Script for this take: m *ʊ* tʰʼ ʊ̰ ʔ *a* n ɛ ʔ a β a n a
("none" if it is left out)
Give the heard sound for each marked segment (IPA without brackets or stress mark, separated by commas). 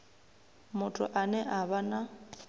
ʊ, a